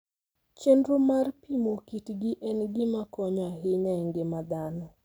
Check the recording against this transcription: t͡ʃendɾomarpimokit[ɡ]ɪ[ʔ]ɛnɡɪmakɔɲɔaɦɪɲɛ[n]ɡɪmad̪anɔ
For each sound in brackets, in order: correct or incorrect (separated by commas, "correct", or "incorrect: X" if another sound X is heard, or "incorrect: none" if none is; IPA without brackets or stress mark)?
correct, correct, incorrect: ŋ